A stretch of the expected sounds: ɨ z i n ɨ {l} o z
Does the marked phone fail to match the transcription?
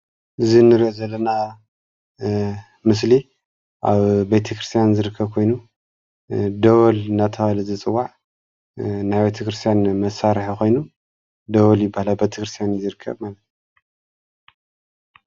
yes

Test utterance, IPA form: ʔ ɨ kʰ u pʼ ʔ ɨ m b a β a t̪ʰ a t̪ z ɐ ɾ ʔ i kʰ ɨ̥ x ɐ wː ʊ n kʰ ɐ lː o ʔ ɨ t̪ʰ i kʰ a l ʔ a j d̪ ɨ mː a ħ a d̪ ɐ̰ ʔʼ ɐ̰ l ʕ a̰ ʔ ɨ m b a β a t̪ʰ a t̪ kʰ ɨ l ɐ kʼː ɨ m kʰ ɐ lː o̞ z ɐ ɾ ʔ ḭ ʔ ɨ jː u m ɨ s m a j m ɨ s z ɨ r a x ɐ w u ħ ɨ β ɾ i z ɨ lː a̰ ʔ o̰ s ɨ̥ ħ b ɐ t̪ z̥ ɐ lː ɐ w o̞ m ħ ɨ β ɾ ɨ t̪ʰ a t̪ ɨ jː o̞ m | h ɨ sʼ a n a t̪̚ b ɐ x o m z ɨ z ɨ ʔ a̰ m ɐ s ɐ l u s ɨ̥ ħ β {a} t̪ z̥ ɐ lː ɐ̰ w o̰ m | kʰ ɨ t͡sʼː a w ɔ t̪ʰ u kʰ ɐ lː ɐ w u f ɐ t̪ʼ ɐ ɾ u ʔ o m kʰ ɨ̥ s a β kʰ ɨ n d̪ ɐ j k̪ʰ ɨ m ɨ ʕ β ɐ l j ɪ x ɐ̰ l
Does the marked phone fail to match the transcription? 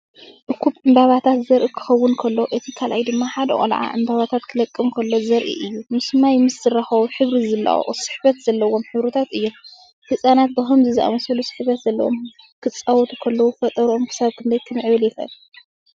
yes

